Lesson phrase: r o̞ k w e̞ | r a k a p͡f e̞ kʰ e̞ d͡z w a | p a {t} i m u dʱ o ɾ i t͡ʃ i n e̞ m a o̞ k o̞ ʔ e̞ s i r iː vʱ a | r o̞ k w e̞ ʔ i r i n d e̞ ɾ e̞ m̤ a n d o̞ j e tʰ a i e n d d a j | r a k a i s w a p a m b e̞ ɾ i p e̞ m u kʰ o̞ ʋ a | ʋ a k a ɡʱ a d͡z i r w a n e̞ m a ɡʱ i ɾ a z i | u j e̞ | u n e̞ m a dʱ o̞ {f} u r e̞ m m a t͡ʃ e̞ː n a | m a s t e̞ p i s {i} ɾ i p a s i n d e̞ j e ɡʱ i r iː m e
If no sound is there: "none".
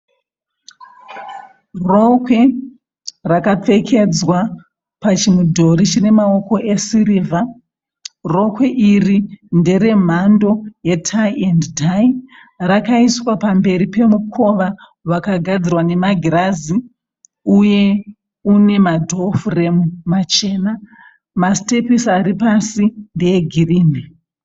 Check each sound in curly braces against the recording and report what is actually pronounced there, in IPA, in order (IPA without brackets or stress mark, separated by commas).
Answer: t͡ʃ, f, a